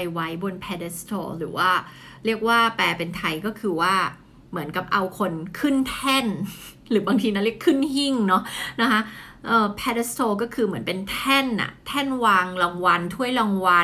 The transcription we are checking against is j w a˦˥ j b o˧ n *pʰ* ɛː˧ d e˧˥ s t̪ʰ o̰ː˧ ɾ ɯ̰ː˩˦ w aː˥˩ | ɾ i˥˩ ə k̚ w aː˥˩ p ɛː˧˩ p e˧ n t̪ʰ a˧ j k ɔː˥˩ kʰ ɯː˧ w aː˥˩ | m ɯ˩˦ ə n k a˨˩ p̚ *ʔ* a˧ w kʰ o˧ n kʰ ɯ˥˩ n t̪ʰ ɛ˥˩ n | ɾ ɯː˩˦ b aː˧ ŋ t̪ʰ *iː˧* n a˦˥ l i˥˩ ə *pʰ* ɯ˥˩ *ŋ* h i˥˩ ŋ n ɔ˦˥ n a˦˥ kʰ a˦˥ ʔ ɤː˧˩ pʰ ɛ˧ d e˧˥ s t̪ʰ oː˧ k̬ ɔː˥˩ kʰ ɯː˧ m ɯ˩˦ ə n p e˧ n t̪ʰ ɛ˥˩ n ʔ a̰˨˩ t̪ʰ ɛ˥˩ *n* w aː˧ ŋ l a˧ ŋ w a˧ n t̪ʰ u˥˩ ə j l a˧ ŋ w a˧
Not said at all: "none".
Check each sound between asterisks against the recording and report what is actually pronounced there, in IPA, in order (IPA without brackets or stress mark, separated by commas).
pʰ, ʔ, iː˧, kʰ, n, n